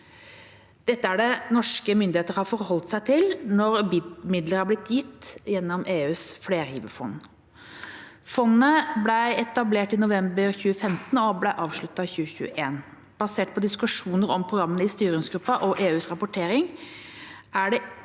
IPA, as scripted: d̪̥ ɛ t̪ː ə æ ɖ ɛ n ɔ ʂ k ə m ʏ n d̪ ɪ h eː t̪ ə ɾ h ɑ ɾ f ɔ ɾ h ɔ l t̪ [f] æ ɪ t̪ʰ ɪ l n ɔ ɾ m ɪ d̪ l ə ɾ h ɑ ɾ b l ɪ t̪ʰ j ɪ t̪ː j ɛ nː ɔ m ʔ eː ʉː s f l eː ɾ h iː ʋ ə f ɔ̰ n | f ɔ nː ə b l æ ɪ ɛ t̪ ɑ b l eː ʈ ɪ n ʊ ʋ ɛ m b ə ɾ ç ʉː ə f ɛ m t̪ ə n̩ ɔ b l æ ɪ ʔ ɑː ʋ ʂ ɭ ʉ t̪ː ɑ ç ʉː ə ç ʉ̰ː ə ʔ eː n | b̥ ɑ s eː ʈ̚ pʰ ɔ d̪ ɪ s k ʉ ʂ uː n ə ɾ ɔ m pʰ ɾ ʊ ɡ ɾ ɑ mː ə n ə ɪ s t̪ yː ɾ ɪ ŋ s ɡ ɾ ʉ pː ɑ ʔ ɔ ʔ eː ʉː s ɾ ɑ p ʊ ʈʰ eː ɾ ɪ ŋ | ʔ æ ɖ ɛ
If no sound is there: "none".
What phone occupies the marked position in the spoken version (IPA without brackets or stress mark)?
s